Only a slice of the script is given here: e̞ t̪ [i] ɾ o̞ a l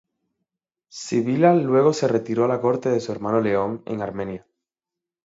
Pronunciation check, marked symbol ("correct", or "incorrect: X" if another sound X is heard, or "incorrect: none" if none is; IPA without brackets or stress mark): correct